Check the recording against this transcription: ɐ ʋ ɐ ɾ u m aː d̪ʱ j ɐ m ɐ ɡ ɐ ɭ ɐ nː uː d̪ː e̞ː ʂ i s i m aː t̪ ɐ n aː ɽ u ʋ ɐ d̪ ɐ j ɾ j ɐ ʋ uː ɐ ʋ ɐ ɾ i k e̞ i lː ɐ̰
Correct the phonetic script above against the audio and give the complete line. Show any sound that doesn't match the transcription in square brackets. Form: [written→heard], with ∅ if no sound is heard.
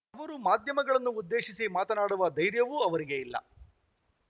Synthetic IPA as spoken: ɐ ʋ ɐ ɾ u m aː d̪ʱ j ɐ m ɐ ɡ ɐ ɭ ɐ nː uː d̪ː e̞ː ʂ i s i m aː t̪ ɐ n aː ɽ u ʋ ɐ d̪ ɐ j ɾ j ɐ ʋ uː ɐ ʋ ɐ ɾ i [k→ɡ] e̞ i lː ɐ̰